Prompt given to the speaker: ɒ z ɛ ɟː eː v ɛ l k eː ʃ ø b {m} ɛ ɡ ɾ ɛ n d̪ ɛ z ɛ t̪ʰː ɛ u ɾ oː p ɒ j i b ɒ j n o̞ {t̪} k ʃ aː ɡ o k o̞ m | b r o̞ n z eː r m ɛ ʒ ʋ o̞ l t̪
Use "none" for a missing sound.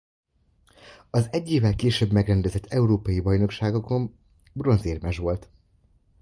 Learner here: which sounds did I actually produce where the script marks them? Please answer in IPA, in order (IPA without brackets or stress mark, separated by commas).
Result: m, none